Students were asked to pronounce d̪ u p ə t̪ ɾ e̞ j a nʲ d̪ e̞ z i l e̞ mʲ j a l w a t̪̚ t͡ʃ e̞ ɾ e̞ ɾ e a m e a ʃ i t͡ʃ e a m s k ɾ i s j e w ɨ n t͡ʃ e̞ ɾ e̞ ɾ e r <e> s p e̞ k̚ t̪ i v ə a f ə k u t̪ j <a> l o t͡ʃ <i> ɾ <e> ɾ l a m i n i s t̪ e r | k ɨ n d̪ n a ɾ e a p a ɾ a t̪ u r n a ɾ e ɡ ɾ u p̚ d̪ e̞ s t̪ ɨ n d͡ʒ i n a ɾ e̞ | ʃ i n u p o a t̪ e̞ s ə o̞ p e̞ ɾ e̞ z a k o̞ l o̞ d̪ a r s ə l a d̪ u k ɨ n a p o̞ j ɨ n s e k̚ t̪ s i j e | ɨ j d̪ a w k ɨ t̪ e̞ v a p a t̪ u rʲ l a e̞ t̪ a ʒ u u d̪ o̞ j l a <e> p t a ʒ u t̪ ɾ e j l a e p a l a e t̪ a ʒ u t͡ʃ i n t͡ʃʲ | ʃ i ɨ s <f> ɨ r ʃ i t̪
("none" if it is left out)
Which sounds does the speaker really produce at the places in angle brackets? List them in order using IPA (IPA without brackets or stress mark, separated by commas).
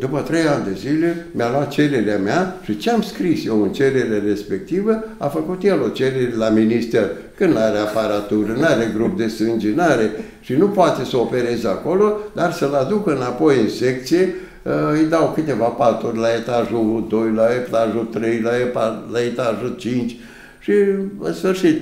e, e, e, e, e, f